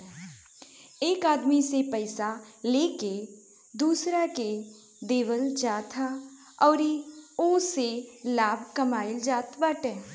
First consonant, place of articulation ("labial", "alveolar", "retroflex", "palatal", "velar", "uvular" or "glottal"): velar